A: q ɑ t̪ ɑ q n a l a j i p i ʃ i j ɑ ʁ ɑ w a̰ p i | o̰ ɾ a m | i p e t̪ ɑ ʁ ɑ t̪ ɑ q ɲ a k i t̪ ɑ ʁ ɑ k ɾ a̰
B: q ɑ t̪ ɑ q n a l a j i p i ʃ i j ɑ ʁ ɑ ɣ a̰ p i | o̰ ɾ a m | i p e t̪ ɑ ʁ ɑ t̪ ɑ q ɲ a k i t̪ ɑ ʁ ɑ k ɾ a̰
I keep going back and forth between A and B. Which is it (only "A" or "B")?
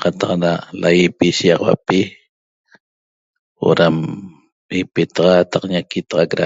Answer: A